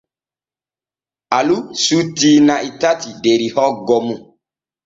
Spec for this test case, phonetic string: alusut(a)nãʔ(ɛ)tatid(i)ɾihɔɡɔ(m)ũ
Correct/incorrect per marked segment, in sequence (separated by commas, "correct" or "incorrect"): incorrect, incorrect, incorrect, correct